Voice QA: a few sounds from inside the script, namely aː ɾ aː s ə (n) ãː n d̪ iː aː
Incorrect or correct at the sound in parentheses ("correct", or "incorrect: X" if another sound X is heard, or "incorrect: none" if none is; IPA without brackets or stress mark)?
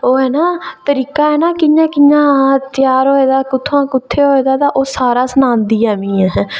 correct